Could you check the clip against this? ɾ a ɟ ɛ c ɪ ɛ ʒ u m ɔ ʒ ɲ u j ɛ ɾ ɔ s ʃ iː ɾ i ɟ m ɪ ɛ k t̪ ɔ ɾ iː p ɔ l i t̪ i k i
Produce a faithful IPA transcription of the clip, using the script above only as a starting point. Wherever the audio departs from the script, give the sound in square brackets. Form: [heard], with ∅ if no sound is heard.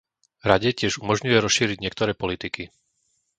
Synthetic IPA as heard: ɾ a ɟ ɛ c ɪ ɛ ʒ u m ɔ ʒ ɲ u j ɛ ɾ ɔ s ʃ iː ɾ i ɟ [ɲ] ɪ ɛ k t̪ ɔ ɾ [ɛː] p ɔ l i t̪ i k i